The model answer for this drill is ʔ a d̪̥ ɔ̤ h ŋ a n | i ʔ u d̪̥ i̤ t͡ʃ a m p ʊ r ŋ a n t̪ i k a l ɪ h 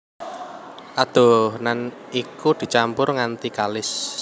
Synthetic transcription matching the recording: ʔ a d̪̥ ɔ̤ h n a n | i k u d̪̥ i̤ t͡ʃ a m p ʊ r ŋ a n t̪ i k a l ɪ s